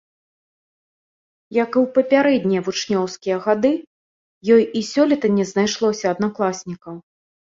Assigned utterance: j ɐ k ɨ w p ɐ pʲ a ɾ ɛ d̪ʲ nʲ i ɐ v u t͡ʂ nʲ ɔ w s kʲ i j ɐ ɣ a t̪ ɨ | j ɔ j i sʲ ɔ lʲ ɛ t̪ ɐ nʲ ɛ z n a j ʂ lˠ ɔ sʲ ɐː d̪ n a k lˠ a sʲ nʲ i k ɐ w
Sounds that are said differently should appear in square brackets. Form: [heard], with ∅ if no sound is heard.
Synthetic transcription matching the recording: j ɐ k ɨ w p ɐ pʲ a ɾ ɛ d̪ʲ nʲ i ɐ v u t͡ʂ nʲ ɔ w s kʲ i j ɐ ɣ a [d̪] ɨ | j ɔ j i sʲ ɔ lʲ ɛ t̪ ɐ nʲ ɛ z n a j ʂ lˠ ɔ sʲ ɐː d̪ n a k lˠ a sʲ nʲ i k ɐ w